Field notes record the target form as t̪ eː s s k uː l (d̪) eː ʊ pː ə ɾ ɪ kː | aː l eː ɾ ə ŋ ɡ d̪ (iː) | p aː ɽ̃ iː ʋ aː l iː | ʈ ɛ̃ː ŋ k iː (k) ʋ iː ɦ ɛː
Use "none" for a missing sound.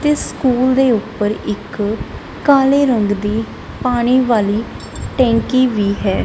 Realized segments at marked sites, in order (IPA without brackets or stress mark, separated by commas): d̪, iː, none